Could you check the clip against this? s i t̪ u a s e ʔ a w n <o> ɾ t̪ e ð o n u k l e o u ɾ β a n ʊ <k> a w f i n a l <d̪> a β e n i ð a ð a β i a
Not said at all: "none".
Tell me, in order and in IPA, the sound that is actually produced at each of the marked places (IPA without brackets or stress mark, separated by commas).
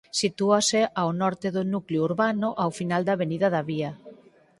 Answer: ɔ, ʔ, d̪